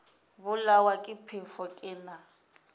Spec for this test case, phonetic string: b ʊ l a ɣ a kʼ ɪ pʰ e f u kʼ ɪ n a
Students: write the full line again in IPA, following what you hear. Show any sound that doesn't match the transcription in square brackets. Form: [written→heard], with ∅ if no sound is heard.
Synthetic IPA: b ʊ l a [ɣ→w] a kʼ ɪ pʰ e f [u→ɔ] kʼ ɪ n a